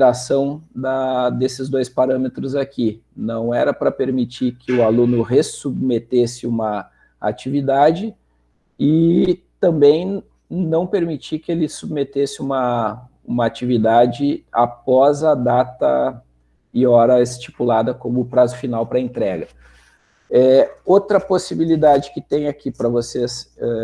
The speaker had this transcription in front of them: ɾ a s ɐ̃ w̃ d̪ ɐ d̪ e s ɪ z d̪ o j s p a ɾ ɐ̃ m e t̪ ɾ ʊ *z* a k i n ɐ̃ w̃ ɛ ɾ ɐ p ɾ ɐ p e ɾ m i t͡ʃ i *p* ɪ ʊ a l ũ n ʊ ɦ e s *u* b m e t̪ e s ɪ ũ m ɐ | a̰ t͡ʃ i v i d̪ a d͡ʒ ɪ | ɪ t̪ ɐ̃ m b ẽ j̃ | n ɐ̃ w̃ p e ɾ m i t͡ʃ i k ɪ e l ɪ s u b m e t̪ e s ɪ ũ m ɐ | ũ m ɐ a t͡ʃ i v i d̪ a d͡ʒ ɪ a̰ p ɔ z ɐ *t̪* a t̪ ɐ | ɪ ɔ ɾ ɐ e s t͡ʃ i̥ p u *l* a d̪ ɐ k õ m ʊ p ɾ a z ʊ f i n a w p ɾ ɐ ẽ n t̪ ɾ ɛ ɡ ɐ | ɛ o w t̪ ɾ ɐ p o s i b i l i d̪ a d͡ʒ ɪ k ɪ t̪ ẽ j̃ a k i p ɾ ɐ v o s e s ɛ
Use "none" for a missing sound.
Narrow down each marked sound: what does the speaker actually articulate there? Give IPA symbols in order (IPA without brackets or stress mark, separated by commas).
z, k, u, d̪, l